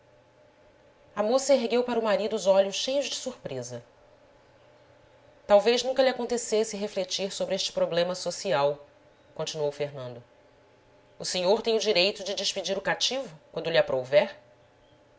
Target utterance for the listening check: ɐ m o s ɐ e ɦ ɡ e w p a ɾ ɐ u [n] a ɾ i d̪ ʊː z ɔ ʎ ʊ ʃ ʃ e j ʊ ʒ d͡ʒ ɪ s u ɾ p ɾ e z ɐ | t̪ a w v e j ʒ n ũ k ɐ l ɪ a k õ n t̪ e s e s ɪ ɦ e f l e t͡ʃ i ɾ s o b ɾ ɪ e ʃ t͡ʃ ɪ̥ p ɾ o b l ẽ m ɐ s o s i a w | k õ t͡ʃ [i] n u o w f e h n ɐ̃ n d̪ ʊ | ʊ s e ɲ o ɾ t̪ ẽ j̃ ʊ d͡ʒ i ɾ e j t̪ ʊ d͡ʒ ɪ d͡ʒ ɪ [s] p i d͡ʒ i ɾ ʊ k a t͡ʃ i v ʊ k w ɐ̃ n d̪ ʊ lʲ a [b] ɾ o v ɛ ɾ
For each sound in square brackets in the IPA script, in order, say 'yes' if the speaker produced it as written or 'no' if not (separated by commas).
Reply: no, yes, no, no